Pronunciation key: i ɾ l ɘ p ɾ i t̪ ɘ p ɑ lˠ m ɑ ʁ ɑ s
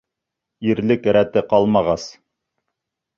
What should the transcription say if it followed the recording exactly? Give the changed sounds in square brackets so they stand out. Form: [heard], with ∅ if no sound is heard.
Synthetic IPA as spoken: i ɾ l ɘ [k] ɾ [æ] t̪ ɘ [q] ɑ lˠ m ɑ ʁ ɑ s